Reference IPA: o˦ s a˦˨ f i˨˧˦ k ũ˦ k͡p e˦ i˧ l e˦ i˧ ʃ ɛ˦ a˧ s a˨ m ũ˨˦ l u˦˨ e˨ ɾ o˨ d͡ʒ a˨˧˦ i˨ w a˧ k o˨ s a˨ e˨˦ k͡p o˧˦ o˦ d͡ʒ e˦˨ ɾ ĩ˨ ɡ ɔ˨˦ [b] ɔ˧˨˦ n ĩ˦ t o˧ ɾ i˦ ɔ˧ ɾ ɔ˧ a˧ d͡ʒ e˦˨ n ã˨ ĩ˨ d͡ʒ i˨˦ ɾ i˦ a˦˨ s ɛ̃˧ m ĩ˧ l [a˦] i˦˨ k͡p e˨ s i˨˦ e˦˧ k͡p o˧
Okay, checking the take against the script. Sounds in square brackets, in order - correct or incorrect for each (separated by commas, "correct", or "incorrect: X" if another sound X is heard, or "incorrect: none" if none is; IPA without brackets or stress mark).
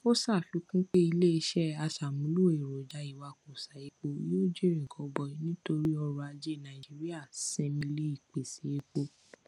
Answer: correct, incorrect: e˦